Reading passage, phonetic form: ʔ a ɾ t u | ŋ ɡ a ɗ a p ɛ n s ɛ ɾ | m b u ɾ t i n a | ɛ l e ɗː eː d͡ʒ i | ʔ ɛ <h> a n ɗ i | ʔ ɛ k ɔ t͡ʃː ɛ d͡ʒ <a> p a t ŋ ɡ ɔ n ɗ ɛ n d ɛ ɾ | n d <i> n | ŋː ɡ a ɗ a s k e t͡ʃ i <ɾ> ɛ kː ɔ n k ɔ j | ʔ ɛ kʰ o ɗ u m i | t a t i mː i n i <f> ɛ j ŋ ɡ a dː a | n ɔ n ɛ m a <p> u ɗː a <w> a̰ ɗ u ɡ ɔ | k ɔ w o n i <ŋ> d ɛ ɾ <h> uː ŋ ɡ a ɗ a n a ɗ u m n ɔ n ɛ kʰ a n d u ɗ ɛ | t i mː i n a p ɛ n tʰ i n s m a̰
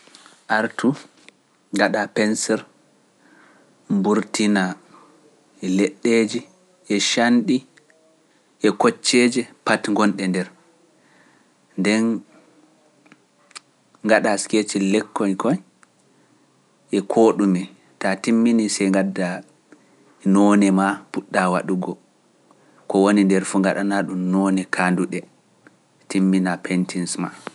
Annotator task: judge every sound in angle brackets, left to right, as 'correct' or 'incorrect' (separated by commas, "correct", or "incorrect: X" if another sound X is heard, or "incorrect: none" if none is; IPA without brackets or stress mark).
incorrect: ʃ, incorrect: ɛ, incorrect: ɛ, incorrect: l, incorrect: s, correct, correct, incorrect: n, incorrect: f